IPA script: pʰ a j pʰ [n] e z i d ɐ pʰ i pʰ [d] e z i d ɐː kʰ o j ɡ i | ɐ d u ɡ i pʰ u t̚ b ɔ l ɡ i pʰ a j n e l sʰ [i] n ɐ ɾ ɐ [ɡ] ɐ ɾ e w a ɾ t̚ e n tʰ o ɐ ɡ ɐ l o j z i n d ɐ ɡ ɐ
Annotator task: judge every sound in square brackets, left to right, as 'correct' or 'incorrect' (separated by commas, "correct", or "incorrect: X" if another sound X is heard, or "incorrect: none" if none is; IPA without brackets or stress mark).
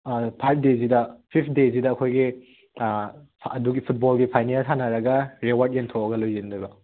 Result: incorrect: d, correct, incorrect: a, correct